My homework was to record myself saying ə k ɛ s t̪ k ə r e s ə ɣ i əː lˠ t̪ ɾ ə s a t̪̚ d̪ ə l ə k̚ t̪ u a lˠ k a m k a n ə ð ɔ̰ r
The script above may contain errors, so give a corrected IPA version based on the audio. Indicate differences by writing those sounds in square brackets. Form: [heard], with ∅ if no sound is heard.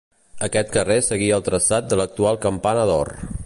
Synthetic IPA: ə k ɛ [∅] t̪ k ə r e s ə ɣ i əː lˠ t̪ ɾ ə s a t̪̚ d̪ ə l ə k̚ t̪ u a lˠ k [ə] m [p] a n ə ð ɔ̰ r